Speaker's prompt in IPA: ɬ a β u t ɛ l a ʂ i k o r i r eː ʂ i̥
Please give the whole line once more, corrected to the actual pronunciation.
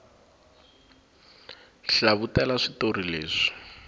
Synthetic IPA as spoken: ɬ a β u t ɛ l a ʂ i t o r i l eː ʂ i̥